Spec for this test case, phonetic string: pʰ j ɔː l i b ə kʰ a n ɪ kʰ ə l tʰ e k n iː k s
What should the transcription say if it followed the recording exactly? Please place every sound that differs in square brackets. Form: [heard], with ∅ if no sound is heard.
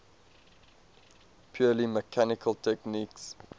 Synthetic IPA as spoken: pʰ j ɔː l i [m] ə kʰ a n ɪ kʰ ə l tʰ [ɛ] k n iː k s